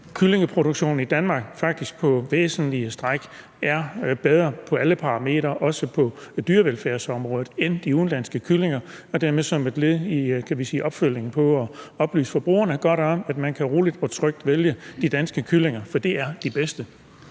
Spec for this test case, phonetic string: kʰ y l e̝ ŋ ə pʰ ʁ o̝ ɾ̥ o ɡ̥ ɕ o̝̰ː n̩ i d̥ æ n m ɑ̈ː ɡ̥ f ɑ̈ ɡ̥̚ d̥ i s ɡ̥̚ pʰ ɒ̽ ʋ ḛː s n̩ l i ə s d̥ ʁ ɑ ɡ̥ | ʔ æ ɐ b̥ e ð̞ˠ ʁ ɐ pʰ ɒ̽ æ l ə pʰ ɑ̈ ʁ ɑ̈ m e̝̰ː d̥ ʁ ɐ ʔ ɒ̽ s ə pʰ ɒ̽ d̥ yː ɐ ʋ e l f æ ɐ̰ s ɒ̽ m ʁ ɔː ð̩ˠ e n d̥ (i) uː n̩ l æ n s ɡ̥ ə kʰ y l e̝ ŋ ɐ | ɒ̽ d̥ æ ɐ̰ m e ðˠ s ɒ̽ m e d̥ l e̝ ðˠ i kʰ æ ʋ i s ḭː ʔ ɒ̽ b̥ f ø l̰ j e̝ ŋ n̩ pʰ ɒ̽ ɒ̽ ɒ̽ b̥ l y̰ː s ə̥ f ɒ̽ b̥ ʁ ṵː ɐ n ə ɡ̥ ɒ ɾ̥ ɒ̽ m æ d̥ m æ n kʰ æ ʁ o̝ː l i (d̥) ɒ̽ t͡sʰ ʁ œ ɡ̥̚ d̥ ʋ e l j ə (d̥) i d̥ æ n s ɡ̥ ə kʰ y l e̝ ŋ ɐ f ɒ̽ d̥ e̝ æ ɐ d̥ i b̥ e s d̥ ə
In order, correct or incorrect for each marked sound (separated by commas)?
correct, correct, correct